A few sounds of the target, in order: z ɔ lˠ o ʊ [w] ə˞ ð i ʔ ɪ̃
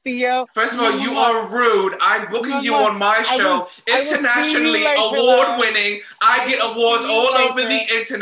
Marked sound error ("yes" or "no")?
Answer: yes